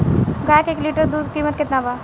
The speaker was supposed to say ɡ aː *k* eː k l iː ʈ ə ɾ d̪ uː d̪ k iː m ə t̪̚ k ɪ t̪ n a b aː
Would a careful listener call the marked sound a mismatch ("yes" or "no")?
no